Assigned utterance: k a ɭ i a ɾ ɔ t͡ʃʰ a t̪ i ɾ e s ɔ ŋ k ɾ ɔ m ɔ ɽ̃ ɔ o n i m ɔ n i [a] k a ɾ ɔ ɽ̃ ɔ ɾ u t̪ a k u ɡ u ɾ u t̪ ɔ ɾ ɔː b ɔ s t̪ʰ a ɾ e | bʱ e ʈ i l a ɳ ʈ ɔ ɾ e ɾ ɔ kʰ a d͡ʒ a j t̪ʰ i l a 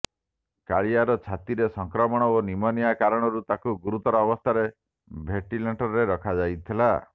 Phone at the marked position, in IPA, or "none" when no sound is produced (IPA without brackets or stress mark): a